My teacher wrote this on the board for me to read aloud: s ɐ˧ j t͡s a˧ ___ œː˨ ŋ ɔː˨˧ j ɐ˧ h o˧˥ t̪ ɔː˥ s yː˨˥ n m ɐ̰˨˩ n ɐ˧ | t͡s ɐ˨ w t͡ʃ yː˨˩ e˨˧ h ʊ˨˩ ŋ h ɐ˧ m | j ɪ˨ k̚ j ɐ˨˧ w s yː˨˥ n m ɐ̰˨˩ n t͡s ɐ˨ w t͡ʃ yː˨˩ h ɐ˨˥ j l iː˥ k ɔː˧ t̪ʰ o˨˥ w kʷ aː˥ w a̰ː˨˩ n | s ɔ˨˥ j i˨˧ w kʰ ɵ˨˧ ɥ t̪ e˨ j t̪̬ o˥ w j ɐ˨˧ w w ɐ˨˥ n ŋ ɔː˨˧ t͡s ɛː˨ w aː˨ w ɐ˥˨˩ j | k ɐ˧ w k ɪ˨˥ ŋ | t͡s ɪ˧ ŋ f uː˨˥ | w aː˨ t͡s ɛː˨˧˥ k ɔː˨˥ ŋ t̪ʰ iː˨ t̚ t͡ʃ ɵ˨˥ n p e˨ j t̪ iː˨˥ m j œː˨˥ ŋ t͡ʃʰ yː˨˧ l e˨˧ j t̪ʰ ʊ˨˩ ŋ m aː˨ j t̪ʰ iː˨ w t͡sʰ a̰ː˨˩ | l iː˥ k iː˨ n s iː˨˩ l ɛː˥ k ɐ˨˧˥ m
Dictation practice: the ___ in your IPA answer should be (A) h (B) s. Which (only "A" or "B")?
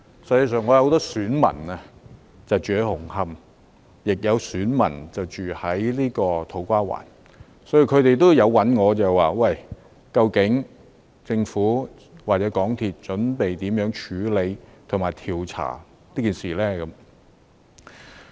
B